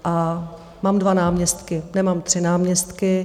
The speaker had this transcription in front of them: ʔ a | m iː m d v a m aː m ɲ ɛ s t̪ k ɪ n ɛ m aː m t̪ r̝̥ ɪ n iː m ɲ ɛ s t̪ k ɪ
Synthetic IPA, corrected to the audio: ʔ a | m aː m d v a n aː m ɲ ɛ s t̪ k ɪ n ɛ m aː m t̪ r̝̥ ɪ n aː m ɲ ɛ s t̪ k ɪ